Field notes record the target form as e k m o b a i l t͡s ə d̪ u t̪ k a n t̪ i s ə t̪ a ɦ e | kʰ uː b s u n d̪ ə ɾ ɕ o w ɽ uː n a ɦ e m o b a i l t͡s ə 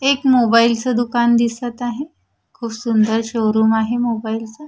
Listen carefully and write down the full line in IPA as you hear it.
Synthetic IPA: e k m o b a i l t͡s ə d̪ u k a n d̪ i s ə t̪ a ɦ e | kʰ uː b s u n d̪ ə ɾ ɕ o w ɾ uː m a ɦ e m o b a i l t͡s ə